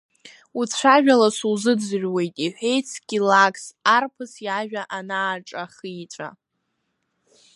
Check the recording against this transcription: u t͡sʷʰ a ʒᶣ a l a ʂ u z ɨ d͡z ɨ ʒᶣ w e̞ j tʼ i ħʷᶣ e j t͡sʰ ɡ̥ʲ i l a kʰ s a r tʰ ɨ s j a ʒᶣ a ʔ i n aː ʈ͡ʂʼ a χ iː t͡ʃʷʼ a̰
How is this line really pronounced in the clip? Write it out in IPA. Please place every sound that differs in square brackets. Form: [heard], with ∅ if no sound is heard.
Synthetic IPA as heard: u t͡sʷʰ a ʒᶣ a l a [s] u z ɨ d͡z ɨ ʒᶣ w e̞ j tʼ i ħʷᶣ e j t͡sʰ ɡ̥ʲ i l a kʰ s a r [pʰ] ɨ s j a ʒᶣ a ʔ [a] n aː ʈ͡ʂʼ a χ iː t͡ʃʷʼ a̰